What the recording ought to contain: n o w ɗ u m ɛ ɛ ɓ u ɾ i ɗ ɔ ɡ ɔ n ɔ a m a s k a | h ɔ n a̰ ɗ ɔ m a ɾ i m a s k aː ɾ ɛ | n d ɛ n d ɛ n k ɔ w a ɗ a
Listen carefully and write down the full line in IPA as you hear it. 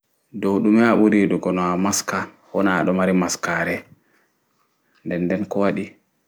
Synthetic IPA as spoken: d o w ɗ u m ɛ a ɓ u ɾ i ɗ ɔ ɡ ɔ n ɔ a m a s k a | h ɔ n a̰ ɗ ɔ m a ɾ i m a s k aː ɾ ɛ | n d ɛ n d ɛ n k ɔ w a ɗ i